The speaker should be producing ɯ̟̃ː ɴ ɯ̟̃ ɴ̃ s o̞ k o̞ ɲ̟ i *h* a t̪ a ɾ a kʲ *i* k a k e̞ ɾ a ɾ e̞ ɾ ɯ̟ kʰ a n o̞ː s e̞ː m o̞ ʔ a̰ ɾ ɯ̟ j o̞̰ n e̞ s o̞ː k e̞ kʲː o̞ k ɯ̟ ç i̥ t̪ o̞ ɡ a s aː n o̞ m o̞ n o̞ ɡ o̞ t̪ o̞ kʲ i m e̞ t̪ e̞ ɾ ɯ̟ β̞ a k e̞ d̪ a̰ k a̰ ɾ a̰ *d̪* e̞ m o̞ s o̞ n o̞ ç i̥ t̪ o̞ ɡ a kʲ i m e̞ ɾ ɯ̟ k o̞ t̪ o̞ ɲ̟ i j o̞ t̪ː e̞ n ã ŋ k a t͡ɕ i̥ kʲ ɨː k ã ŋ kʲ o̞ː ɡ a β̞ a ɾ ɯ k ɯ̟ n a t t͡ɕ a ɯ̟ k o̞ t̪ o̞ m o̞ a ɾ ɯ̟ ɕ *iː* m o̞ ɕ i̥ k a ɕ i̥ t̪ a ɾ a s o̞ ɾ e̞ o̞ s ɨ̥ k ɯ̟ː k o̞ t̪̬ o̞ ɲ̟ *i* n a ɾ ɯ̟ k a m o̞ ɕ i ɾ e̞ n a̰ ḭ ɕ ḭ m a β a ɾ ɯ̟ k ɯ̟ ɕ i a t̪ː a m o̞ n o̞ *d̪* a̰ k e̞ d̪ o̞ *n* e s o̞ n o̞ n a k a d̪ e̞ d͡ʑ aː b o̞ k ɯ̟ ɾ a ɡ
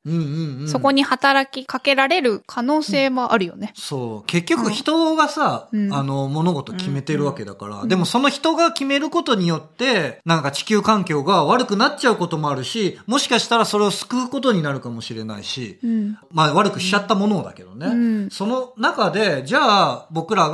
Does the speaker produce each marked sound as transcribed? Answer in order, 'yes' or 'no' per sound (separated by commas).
yes, yes, yes, no, yes, yes, yes